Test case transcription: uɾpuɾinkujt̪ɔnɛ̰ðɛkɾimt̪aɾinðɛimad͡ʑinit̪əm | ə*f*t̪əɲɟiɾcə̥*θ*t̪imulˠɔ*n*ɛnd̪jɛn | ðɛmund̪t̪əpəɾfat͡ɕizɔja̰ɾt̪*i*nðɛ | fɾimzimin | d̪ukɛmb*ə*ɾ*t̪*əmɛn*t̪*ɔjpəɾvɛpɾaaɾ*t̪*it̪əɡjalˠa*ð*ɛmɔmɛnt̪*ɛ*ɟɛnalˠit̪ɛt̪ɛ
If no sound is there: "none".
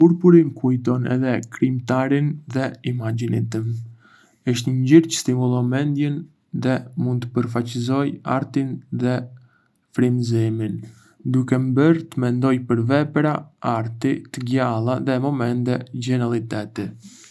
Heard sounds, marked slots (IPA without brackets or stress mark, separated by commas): ʃ, s, m, i, ə, t̪, d̪, t̪, ð, ɛ